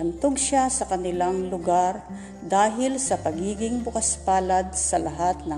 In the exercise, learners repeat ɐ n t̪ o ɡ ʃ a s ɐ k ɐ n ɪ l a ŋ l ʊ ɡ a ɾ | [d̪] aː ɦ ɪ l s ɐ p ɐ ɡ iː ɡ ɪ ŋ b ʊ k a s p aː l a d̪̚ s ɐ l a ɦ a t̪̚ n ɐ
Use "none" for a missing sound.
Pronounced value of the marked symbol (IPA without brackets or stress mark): d̪